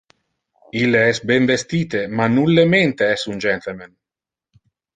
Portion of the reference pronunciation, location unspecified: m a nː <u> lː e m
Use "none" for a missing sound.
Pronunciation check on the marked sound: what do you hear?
u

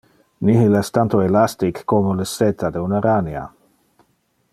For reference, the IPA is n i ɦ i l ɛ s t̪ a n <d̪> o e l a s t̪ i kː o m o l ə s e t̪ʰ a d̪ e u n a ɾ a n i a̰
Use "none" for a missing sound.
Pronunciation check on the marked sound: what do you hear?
t̪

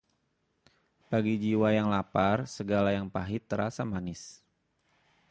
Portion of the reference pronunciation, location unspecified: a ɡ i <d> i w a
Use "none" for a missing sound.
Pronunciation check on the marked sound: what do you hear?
d͡ʒ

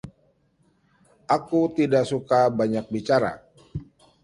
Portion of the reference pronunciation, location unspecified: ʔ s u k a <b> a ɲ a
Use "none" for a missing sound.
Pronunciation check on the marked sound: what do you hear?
b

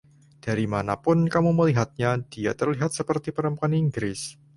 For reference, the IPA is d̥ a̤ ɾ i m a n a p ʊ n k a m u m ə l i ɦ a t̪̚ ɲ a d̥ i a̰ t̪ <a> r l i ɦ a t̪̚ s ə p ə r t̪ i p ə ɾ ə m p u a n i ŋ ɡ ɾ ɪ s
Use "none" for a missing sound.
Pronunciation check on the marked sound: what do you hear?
ə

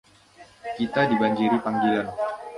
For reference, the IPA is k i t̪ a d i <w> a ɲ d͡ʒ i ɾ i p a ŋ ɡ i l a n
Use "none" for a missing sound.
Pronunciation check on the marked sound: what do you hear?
b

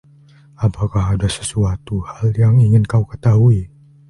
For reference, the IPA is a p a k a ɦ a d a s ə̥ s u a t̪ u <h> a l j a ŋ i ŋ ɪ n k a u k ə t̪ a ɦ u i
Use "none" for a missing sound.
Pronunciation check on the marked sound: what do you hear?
h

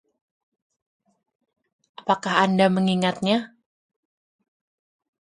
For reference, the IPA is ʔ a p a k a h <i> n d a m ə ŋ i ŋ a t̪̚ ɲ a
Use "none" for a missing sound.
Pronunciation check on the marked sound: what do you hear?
a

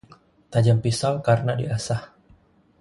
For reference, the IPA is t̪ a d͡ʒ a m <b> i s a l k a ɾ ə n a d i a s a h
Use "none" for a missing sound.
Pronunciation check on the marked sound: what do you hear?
p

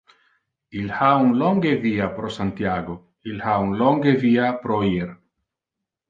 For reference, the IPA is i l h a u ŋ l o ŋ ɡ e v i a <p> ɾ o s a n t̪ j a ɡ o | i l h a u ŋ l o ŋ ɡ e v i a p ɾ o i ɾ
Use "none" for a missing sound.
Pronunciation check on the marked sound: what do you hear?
p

